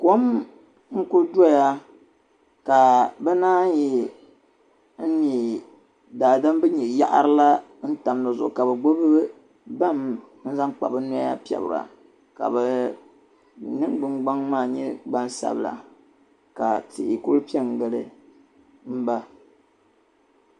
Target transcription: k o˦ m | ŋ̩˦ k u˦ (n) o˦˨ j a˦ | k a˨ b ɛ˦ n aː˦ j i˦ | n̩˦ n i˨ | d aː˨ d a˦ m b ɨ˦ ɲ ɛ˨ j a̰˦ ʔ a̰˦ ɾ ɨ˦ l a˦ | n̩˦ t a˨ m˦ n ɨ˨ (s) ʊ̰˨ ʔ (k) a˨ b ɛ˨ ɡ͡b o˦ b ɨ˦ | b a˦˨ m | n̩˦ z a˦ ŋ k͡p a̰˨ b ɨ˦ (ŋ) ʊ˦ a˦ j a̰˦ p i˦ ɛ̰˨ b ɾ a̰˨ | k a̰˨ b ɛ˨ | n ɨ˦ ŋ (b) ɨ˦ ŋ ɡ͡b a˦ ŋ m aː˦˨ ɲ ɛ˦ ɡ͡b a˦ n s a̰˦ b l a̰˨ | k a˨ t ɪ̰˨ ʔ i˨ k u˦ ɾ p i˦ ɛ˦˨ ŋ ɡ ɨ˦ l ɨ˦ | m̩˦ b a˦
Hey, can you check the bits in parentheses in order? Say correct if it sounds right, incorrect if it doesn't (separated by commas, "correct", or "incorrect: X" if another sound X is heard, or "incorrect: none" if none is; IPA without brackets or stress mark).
incorrect: d, incorrect: z, correct, incorrect: n, incorrect: ɡ͡b